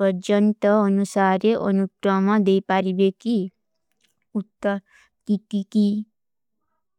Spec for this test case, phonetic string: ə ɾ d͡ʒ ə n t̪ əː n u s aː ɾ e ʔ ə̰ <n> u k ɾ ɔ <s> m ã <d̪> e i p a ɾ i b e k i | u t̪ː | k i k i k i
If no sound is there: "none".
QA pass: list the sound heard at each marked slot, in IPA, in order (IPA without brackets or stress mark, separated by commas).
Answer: n, none, d̪